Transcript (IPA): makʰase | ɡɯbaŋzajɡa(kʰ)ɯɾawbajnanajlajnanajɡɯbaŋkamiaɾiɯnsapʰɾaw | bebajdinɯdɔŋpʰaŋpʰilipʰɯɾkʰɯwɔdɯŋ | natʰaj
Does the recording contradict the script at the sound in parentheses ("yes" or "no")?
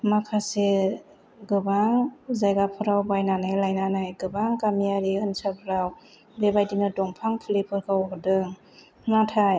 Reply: yes